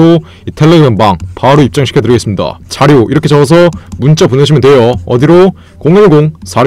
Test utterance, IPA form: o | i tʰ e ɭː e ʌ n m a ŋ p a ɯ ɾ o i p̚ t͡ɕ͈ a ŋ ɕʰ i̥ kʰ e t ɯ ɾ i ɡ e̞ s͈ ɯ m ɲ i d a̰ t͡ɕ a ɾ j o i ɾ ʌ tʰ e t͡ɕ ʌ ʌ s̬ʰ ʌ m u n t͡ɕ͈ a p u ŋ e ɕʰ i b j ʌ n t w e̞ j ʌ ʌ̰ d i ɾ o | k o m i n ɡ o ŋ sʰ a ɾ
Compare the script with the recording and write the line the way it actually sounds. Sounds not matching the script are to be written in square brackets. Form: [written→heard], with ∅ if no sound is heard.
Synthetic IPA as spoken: o | i tʰ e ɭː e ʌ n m a ŋ p a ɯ ɾ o i p̚ t͡ɕ͈ a ŋ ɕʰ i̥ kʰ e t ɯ ɾ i ɡ e̞ s͈ ɯ m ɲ i d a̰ t͡ɕ a ɾ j o i ɾ ʌ [tʰ→kʰ] e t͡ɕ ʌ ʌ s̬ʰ ʌ m u n t͡ɕ͈ a p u [ŋ→n] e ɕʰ i [b→m] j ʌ n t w e̞ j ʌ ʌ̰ d i ɾ o | k o [m→ŋ] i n ɡ o ŋ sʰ a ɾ